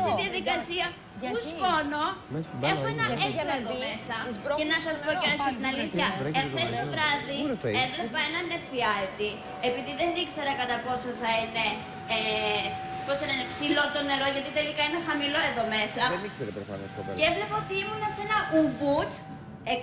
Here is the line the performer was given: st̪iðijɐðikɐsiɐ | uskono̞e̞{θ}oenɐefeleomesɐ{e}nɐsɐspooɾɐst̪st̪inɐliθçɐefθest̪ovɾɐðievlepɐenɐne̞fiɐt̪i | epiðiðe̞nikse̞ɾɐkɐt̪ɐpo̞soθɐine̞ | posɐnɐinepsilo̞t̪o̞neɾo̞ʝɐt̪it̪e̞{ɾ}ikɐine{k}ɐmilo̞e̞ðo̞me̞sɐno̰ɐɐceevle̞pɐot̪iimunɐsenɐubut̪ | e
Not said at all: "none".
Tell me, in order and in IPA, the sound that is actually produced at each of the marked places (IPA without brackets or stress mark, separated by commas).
x, e, l, x